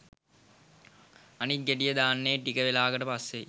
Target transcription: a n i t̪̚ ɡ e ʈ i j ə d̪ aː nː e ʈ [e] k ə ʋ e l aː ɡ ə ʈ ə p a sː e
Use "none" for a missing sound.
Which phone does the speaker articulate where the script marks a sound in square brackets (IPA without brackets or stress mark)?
i